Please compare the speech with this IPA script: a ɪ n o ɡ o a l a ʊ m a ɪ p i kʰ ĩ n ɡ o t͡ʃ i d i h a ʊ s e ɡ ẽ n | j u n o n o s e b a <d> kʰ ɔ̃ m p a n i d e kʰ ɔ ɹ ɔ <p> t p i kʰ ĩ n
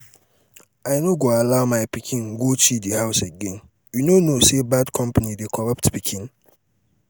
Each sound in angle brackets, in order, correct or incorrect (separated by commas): correct, correct